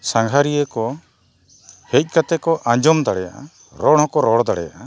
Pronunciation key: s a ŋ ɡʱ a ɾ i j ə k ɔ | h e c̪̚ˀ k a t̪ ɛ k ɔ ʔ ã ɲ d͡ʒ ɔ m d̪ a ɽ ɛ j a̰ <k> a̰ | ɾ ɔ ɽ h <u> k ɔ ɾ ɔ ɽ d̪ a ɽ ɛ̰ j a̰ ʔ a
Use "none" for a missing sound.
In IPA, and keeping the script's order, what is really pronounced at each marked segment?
ʔ, ɔ

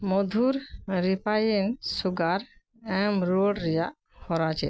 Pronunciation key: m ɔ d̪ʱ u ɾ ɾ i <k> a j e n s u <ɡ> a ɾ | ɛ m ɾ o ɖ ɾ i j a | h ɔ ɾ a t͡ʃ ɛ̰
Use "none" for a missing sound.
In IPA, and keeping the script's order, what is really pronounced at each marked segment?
p, ɡ

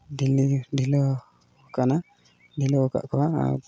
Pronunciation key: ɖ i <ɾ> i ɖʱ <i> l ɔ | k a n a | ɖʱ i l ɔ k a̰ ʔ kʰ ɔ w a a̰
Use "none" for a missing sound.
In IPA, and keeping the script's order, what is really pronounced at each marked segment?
l, i

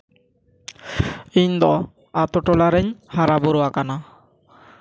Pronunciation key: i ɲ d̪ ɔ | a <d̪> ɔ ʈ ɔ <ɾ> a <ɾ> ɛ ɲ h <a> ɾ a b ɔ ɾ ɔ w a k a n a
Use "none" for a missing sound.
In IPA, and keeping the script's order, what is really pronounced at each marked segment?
t̪, l, ɾ, a

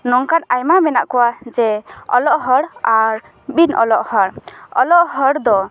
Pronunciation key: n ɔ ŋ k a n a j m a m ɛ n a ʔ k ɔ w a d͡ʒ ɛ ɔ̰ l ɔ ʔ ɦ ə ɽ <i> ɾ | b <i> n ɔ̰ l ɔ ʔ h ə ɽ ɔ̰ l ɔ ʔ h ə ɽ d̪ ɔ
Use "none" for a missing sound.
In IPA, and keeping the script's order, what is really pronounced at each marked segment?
a, i

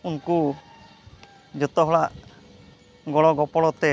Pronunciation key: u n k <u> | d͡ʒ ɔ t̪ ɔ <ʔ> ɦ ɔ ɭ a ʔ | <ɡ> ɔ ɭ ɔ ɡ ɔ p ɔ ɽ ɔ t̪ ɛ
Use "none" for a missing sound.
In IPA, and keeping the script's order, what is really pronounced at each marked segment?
u, none, ɡ

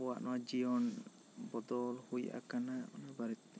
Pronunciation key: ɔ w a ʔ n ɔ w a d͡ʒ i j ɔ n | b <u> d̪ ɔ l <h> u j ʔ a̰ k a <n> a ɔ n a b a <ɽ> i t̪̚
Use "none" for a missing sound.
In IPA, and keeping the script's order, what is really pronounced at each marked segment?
ɔ, h, n, ɾ

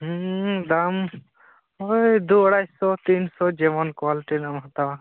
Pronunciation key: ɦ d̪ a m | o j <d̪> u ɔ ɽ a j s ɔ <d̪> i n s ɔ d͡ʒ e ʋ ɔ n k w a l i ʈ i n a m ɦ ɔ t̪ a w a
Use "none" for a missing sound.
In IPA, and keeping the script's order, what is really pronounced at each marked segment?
d̪, t̪

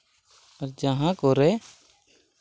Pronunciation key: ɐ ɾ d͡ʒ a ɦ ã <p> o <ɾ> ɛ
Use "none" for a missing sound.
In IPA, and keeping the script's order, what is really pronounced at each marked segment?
k, ɾ

